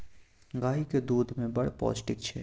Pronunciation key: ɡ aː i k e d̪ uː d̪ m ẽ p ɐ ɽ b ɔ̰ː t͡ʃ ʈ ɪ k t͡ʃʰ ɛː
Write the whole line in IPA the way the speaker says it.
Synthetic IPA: ɡ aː i k e d̪ uː d̪ m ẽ b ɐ ɽ p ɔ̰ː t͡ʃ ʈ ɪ k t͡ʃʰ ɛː